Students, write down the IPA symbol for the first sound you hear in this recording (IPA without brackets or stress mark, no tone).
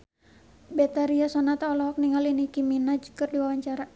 b